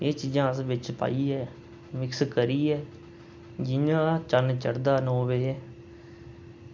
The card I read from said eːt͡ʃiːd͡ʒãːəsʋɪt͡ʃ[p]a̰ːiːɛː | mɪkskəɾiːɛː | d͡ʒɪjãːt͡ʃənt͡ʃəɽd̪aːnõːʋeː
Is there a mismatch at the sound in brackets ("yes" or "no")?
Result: no